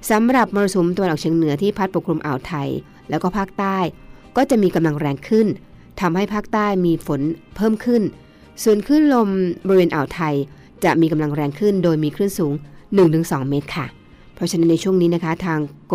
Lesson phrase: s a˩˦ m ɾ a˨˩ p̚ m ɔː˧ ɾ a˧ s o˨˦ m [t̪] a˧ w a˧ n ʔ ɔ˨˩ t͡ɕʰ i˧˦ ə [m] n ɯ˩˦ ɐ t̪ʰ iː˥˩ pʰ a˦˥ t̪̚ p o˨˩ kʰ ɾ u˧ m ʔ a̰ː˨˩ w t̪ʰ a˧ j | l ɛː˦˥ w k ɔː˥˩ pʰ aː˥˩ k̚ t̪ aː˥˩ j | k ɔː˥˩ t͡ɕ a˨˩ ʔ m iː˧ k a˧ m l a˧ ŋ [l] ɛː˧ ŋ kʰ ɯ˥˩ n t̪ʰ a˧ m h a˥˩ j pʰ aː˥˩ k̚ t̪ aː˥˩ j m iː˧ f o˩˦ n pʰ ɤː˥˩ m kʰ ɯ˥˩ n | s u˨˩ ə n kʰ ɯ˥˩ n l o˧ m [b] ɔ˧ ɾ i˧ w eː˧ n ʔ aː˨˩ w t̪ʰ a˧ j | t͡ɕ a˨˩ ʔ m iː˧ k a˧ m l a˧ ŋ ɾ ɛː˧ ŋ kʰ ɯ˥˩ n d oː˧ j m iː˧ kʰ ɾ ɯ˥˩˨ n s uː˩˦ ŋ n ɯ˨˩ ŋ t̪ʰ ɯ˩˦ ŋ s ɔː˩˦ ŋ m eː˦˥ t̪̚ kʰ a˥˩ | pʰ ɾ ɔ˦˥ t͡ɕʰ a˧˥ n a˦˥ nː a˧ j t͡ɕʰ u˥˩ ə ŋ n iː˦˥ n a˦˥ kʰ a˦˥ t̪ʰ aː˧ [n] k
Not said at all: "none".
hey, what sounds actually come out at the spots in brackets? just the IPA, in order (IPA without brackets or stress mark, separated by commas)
t̪, ŋ, ɾ, b, ŋ